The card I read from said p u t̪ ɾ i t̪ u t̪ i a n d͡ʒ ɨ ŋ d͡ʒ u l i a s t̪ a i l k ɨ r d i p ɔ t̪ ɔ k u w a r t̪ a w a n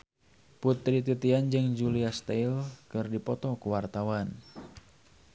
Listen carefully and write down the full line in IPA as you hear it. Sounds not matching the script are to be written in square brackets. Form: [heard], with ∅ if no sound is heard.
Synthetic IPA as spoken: p u t̪ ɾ i t̪ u t̪ i a n d͡ʒ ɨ ŋ d͡ʒ u l i a s t̪ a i l k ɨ r d i p ɔ t̪ ɔ k u w a r t̪ a w a n